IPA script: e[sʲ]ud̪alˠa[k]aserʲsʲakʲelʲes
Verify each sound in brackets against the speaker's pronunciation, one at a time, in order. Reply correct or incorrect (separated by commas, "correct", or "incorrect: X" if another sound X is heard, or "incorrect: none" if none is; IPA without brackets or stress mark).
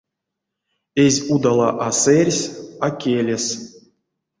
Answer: incorrect: zʲ, incorrect: ʔ